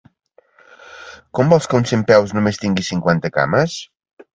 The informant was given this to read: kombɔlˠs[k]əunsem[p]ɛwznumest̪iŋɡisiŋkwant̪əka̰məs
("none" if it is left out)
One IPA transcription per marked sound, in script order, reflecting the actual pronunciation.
k, p

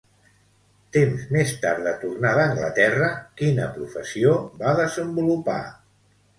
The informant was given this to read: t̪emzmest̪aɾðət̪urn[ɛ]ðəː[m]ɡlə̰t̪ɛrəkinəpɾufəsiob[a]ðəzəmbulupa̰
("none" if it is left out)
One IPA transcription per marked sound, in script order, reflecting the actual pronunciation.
a, ŋ, a

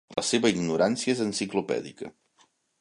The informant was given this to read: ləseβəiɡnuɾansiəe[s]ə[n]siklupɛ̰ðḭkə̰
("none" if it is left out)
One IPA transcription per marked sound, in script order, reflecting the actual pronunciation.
z, n

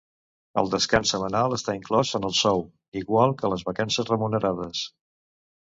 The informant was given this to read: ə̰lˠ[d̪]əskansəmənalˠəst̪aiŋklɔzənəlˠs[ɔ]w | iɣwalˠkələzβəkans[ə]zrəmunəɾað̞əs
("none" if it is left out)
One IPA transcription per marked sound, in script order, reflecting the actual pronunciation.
d̪, ɔ, ə

